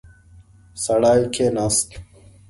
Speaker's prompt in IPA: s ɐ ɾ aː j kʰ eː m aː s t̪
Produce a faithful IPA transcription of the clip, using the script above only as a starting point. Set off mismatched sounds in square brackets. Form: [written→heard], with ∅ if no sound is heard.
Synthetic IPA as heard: s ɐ [ɾ→ɽ] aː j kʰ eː [m→n] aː s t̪

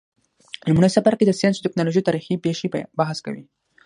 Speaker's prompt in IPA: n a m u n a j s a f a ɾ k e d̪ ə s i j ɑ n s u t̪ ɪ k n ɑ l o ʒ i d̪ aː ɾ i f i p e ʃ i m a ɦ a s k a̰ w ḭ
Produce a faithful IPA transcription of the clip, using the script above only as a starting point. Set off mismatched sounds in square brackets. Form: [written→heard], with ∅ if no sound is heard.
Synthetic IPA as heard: n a m u n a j s a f a ɾ k e d̪ ə s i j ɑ n s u t̪ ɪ k n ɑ l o ʒ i [d̪→t̪] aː ɾ i [f→x] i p e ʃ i [m→b] a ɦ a s k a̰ w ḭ

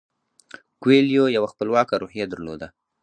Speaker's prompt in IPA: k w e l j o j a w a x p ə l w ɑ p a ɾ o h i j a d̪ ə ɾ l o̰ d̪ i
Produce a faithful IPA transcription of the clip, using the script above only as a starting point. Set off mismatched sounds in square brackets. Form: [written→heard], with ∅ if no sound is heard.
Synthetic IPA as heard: k w e l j o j a w a x p ə l w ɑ [p→k] a ɾ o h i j a d̪ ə ɾ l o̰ d̪ [i→a]

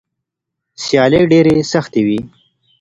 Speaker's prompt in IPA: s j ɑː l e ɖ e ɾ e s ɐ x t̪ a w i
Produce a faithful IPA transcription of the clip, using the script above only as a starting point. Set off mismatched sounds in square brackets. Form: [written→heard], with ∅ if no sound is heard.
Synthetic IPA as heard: s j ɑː l e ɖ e ɾ e s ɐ x t̪ [a→e] w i

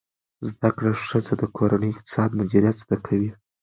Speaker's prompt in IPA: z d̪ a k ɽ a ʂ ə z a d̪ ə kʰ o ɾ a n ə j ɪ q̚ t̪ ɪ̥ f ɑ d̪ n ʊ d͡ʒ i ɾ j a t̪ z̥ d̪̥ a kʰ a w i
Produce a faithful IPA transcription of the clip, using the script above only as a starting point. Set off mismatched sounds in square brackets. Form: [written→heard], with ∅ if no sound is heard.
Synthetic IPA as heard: z d̪ a k ɽ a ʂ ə z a d̪ ə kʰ o ɾ a n ə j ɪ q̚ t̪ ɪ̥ [f→s] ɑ d̪ [n→m] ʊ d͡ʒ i ɾ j a t̪ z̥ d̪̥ a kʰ a w i

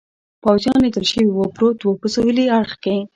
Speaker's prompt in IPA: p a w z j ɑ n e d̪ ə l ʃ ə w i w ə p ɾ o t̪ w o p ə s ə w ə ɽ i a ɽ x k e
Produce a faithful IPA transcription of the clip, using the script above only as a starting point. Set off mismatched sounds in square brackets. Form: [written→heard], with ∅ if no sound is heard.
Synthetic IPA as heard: p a w z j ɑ n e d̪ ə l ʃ ə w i w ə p ɾ o t̪ w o p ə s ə w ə [ɽ→l] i a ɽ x k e

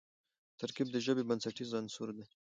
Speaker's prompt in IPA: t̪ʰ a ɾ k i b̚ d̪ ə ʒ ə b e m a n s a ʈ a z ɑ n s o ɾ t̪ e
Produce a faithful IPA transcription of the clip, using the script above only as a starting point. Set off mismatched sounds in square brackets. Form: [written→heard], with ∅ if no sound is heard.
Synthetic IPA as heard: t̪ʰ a ɾ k i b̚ d̪ ə ʒ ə b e [m→b] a n s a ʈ [a→i] z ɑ n s [o→u] ɾ [t̪→d̪] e

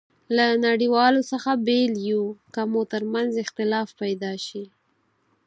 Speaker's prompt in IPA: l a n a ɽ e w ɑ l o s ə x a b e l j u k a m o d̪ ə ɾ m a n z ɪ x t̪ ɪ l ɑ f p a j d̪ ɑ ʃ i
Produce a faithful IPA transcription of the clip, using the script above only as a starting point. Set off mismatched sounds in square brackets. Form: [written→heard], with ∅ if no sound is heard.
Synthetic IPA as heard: l a n a ɽ [e→i] w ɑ l o s ə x a b e l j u k a m o [d̪→t̪] ə ɾ m a n z ɪ x t̪ ɪ l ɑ f p a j d̪ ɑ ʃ i

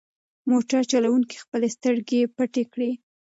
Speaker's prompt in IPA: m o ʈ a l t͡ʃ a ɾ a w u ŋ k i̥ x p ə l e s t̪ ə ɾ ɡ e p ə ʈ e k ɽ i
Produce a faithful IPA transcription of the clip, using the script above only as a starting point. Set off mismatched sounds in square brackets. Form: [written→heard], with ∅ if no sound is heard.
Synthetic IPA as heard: m o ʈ a [l→ɾ] t͡ʃ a [ɾ→l] a w u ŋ k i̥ x p ə l e s t̪ ə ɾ ɡ e p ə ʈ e k ɽ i

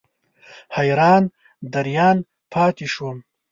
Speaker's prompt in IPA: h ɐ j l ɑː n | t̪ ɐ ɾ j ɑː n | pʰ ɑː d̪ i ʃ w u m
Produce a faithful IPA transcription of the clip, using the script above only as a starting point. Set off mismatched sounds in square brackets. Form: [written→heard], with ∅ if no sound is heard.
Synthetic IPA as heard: h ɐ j [l→ɾ] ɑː n | [t̪→d̪] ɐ ɾ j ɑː n | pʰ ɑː [d̪→t̪] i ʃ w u m

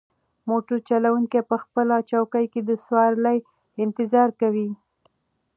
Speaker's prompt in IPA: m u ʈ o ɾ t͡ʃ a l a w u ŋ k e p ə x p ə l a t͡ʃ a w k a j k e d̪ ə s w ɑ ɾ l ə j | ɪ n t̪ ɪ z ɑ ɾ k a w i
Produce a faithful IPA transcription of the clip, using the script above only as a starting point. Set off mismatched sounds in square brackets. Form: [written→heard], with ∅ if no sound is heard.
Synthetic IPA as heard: m [u→o] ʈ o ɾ t͡ʃ a l a w u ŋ k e p ə x p ə l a t͡ʃ a w k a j k e d̪ ə s w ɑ ɾ l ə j | ɪ n t̪ ɪ z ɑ ɾ k a w i

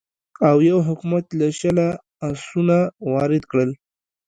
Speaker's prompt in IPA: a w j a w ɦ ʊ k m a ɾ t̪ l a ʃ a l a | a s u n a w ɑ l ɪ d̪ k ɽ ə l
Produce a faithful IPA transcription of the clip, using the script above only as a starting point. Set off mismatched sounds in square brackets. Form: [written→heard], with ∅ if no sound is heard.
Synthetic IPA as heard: a w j a w ɦ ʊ k m a [ɾ→∅] t̪ l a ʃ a l a | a s u n a w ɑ [l→ɾ] ɪ d̪ k ɽ ə l

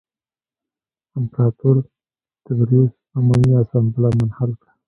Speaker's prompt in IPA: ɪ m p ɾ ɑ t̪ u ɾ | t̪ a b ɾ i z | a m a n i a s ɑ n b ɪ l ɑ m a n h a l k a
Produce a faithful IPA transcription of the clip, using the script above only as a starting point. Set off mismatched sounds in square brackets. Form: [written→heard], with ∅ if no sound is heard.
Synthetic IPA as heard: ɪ m p ɾ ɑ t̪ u ɾ | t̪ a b ɾ i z | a m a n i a s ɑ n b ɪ l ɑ m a n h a l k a

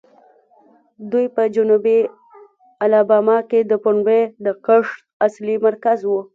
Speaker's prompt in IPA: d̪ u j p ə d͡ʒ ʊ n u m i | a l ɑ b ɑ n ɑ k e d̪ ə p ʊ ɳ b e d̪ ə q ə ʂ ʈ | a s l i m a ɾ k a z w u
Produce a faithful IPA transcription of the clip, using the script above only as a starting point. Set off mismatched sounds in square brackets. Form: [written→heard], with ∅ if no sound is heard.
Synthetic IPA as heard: d̪ u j p ə d͡ʒ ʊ n u [m→b] i | a l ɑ b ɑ [n→m] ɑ k e d̪ ə p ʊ ɳ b e d̪ ə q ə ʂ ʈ | a s l i m a ɾ k a z w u

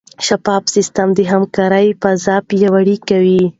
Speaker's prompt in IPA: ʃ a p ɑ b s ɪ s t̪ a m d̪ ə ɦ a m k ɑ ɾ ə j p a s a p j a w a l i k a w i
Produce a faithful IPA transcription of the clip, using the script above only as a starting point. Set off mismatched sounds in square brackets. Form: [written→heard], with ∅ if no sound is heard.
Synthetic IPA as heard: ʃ a p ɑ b s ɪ s t̪ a m d̪ ə ɦ a m k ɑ ɾ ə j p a [s→z] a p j a w a [l→ɽ] i k a w i

